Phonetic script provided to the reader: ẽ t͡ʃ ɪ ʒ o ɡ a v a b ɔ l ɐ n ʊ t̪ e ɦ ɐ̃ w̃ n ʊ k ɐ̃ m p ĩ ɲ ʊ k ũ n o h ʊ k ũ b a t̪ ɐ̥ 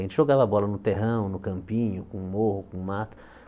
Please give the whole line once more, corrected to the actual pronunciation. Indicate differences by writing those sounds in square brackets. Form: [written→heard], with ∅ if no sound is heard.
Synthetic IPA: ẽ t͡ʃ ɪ ʒ o ɡ a v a b ɔ l ɐ n ʊ t̪ e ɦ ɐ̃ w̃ n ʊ k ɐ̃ m p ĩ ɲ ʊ k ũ [n→m] o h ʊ k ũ [b→m] a t̪ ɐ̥